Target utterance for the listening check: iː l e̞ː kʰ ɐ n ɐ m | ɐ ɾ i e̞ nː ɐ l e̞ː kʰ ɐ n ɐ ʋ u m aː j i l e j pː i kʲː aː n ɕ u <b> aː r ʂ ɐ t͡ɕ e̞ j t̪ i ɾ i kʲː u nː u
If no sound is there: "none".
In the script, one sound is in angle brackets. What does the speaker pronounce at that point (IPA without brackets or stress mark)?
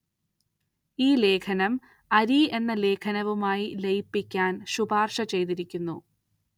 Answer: b